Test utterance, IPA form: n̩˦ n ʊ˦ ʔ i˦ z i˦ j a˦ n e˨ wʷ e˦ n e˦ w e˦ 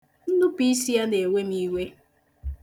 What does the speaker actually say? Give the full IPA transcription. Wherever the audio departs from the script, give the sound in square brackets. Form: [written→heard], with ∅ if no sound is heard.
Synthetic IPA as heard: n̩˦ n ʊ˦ [ʔ→p] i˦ [z→s] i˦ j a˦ n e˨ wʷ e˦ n [e˦→i˦] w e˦